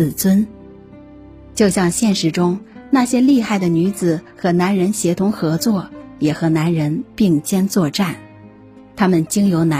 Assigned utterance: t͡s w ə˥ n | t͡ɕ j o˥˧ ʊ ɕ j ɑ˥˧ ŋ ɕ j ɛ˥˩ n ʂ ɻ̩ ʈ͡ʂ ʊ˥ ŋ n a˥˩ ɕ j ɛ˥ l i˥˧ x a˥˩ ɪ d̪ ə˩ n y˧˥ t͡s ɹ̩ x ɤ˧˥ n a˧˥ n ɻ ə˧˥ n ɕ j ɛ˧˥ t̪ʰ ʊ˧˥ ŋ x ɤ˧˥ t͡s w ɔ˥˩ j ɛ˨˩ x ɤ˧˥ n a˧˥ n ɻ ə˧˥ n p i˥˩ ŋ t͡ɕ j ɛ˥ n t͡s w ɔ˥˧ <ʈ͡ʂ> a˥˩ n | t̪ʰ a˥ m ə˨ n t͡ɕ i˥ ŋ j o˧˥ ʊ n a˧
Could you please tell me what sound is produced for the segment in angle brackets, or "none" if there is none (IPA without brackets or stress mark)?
ʈ͡ʂ